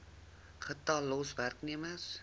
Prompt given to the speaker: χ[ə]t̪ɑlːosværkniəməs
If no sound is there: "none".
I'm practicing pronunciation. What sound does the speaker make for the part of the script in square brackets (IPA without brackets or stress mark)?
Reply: ə